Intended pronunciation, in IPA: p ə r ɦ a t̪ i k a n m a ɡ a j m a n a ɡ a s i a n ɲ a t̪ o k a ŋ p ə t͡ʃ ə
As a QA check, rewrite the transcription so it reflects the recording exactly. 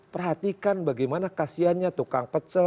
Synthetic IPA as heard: p ə r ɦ a t̪ i k a n b a ɡ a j m a n a k a s i a n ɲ a t̪ u k a ŋ p ə t͡ʃ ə